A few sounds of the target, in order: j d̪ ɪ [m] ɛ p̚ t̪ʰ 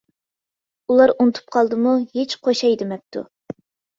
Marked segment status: correct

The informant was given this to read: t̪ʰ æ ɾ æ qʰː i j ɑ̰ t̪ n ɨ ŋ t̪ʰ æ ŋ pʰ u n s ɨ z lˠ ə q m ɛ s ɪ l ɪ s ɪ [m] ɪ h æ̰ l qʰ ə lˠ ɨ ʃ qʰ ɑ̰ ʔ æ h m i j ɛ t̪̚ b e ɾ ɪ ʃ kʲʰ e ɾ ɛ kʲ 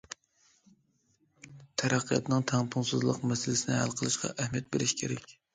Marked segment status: incorrect: n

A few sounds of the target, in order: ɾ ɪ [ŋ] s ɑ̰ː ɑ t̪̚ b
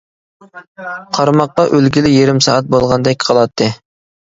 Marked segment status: incorrect: m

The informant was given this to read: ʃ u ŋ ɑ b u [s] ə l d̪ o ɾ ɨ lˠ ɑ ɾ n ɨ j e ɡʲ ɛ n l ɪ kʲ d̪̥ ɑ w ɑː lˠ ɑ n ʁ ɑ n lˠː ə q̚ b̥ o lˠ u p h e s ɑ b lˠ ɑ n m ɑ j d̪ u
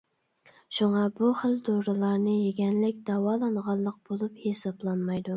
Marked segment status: incorrect: χ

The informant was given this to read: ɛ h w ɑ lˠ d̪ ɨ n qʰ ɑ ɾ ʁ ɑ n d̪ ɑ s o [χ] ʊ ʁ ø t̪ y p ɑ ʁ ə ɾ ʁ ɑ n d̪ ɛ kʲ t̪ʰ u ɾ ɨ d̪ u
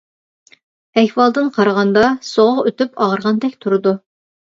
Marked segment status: incorrect: ʁ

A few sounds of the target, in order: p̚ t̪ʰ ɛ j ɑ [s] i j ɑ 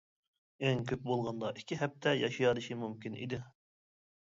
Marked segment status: incorrect: ʃ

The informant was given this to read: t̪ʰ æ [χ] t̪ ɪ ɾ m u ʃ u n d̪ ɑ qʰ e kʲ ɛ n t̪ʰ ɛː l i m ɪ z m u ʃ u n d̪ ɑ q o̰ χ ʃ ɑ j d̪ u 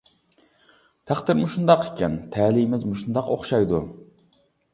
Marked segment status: correct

